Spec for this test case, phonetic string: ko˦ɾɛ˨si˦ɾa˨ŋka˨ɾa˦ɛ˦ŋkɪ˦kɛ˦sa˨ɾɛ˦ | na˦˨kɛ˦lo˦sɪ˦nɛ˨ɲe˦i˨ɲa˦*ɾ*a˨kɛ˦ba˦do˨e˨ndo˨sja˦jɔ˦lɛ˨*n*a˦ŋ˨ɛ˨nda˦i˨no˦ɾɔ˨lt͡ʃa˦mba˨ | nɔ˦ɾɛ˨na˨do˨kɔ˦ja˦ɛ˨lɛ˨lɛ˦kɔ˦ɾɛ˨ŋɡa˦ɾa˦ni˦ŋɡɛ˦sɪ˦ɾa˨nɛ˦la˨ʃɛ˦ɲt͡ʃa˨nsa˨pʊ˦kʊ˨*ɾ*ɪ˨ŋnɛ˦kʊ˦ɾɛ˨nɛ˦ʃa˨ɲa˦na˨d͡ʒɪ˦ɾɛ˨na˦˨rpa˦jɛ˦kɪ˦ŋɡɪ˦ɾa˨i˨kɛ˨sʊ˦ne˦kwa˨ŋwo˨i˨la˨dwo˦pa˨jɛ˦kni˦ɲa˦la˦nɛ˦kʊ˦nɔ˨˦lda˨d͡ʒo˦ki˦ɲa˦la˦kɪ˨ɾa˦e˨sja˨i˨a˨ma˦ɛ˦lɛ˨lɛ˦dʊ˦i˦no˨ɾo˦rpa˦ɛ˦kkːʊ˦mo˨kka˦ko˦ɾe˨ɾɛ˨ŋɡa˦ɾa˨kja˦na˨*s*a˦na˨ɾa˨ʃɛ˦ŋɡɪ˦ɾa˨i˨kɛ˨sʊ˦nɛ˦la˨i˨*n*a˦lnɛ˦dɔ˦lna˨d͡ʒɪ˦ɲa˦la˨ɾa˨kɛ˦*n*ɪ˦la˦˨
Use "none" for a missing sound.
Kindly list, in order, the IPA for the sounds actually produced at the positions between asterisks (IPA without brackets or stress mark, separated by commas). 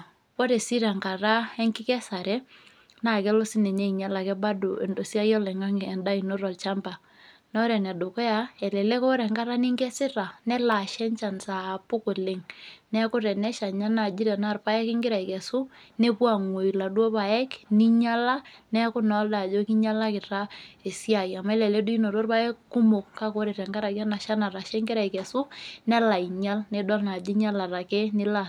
l, ŋ, l, ʃ, ɲ, n